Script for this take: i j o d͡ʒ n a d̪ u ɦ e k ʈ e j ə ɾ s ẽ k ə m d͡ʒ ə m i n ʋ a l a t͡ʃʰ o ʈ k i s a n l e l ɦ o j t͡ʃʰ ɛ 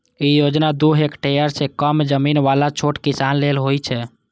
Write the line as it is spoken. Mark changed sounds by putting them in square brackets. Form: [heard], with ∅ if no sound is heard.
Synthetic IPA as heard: i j o d͡ʒ n a d̪ u ɦ e k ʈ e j ə ɾ s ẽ k ə m d͡ʒ ə m i n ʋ a l a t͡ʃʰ o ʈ k i s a n l e l ɦ o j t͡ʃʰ ɛ